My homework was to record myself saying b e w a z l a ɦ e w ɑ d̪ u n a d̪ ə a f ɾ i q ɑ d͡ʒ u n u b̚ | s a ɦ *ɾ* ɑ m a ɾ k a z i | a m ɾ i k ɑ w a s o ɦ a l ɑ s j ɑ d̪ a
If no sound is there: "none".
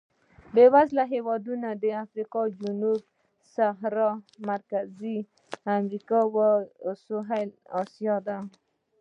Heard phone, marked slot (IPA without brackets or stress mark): ɾ